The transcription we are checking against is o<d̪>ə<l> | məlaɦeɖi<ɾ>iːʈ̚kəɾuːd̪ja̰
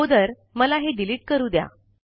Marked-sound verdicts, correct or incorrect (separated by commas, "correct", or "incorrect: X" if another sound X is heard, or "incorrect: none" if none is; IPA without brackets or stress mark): correct, incorrect: ɾ, incorrect: l